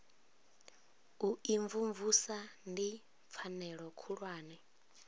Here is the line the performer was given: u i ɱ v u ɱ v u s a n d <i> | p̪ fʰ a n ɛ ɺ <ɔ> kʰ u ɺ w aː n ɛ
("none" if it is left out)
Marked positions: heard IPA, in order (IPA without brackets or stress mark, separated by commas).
i, ɔ